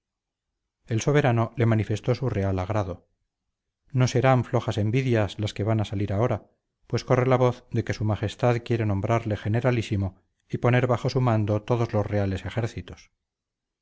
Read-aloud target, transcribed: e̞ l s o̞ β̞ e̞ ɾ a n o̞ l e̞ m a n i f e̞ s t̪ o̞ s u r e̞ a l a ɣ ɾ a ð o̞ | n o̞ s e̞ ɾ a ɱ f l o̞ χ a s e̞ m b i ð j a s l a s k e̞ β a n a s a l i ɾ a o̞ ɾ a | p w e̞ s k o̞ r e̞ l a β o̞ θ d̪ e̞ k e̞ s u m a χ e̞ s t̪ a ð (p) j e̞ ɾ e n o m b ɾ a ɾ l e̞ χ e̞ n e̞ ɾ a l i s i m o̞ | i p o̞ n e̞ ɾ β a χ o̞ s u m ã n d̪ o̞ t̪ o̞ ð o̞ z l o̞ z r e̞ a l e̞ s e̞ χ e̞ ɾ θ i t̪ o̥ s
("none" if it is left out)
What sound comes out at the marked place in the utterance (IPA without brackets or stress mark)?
k